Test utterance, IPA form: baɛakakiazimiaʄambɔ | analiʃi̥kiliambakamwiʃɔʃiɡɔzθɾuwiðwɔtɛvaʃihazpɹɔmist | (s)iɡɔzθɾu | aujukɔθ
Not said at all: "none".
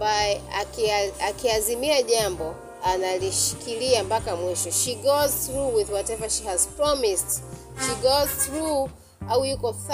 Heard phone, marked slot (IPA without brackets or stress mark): ʃ